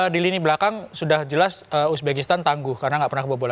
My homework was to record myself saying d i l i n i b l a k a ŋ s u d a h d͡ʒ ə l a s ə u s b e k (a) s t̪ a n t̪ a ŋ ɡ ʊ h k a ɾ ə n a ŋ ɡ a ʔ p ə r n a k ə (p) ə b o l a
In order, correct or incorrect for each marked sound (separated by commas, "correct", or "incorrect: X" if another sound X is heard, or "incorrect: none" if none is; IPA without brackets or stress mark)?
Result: incorrect: i, incorrect: b